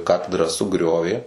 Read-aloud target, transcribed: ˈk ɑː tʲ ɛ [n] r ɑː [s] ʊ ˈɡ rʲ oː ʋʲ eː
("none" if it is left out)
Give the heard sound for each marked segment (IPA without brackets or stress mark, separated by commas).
d, s